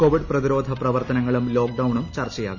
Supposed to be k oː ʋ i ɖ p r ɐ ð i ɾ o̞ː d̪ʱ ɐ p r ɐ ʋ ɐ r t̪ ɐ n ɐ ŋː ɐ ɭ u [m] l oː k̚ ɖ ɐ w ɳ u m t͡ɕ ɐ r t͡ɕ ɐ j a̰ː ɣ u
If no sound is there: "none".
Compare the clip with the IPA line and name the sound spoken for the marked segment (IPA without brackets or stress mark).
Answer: m